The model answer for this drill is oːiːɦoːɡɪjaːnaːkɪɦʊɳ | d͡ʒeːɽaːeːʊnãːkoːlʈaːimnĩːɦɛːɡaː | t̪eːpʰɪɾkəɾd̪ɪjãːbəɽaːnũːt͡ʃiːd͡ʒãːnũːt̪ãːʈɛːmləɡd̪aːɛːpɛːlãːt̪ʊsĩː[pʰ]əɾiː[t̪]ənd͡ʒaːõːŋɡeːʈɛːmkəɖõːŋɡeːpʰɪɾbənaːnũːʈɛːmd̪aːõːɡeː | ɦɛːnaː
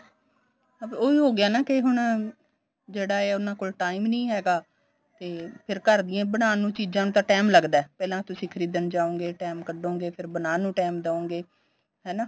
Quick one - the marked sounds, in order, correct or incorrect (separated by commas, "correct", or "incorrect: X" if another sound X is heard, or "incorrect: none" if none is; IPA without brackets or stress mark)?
incorrect: kʰ, incorrect: d̪